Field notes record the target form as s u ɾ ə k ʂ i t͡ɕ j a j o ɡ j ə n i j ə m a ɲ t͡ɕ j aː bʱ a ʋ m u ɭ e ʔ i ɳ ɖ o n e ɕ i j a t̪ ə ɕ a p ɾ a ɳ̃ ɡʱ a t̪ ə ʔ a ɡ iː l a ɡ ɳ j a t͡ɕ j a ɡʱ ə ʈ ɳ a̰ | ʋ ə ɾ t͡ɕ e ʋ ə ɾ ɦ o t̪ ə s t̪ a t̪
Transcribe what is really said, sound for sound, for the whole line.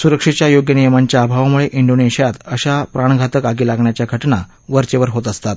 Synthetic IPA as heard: s u ɾ ə k ʂ i t͡ɕ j a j o ɡ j ə n i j ə m a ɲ t͡ɕ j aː bʱ a ʋ m u ɭ e ʔ i ɳ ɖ o n e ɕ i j a t̪ ə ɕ a p ɾ a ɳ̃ ɡʱ a t̪ ə k a ɡ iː l a ɡ ɳ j a t͡ɕ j a ɡʱ ə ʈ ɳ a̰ | ʋ ə ɾ t͡ɕ e ʋ ə ɾ ɦ o t̪ ə s t̪ a t̪

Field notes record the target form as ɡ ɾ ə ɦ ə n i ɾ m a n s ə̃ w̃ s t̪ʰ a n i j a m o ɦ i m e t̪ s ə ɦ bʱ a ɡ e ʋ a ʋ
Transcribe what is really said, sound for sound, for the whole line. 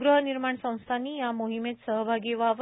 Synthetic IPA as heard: ɡ ɾ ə ɦ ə n i ɾ m a ɳ s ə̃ w̃ s t̪ʰ a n i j a m o ɦ i m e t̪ s ə ɦ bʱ a ɡ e ʋ a ʋ

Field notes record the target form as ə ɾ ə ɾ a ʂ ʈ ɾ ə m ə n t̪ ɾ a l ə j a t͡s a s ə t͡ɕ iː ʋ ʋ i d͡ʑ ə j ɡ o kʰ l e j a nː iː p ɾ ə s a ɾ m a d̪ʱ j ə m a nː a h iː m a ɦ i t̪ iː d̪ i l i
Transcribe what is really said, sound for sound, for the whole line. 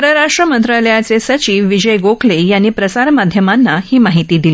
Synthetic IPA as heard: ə ɾ ə ɾ a ʂ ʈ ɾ ə m ə n t̪ ɾ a l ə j a t͡s e s ə t͡ɕ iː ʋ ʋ i d͡ʑ ə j ɡ o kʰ l e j a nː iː p ɾ ə s a ɾ m a d̪ʱ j ə m a nː a h iː m a ɦ i t̪ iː d̪ i l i

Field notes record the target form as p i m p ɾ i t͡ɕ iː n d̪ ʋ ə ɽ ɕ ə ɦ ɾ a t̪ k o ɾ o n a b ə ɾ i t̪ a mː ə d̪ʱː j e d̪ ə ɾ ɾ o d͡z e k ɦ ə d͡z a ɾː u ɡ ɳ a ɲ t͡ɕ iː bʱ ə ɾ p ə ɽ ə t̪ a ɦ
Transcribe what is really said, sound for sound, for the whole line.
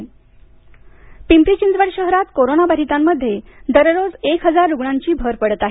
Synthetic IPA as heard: p i m p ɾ i t͡ɕ i n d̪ ʋ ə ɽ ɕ ə ɦ ɾ a t̪ k o ɾ o n a b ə ɾ i t̪ a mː ə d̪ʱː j e d̪ ə ɾ ɾ o d͡z e k ɦ ə d͡z a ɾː u ɡ ɳ a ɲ t͡ɕ iː bʱ ə ɾ p ə ɽ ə t̪ a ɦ

